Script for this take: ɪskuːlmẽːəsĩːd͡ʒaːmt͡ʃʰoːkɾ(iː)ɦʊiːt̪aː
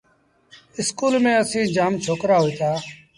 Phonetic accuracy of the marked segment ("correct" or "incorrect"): incorrect